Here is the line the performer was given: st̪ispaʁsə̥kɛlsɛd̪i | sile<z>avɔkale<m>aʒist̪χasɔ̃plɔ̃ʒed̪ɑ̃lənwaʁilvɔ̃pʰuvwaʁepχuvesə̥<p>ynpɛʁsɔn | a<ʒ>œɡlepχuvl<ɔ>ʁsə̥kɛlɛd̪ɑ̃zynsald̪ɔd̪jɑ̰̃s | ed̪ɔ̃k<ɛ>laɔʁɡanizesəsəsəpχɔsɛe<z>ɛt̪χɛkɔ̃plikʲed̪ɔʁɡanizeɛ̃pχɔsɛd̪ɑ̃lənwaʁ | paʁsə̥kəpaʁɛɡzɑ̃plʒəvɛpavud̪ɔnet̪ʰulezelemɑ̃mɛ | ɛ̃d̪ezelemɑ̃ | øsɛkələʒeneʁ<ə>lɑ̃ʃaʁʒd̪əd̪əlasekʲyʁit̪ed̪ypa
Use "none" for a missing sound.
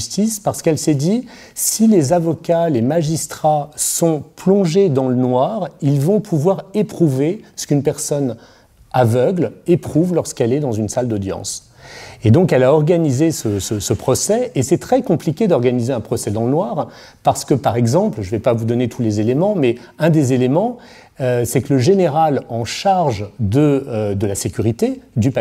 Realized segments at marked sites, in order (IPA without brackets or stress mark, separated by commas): z, m, k, v, ɔ, ɛ, s, a